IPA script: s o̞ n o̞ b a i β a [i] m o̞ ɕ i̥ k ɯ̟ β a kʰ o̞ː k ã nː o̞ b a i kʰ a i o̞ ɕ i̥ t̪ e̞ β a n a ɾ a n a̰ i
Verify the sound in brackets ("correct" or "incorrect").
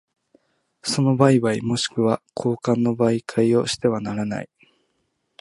correct